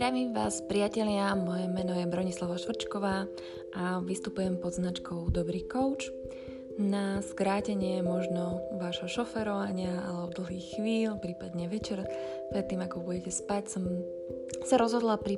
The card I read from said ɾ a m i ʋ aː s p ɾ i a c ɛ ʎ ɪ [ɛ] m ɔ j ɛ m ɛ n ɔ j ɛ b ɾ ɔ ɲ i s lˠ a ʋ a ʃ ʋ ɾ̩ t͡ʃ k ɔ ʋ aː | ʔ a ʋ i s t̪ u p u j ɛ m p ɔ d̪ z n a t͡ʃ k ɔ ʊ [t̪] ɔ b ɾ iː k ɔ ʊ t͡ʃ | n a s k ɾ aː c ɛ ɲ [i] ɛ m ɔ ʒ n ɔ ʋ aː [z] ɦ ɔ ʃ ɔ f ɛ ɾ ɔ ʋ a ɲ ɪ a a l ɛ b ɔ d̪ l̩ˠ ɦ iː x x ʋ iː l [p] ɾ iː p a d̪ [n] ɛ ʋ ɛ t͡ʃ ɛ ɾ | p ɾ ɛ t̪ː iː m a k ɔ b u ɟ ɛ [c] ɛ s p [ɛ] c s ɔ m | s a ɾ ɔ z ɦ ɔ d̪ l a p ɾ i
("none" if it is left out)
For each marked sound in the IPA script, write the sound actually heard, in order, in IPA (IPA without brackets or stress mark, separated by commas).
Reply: a, d̪, ɪ, ʒ, p, ɲ, c, a